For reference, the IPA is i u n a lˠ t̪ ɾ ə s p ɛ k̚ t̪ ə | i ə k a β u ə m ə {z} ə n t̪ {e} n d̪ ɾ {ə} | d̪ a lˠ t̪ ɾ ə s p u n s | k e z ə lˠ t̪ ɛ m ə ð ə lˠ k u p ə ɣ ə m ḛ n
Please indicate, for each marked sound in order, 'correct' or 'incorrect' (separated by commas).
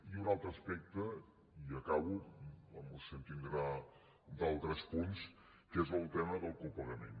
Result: incorrect, incorrect, incorrect